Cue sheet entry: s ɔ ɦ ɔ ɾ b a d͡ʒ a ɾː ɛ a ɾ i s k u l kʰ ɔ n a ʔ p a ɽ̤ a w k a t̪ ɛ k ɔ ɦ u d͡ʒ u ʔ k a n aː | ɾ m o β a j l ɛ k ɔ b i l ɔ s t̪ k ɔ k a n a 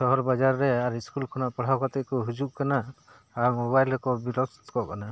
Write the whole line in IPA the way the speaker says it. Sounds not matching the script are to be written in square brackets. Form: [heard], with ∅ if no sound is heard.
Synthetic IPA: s ɔ ɦ ɔ ɾ b a d͡ʒ a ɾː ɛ a ɾ i s k u l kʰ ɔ n a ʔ p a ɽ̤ a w k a t̪ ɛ k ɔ ɦ u d͡ʒ u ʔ k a n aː | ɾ m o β a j l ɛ k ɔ b i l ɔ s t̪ k ɔ k a n a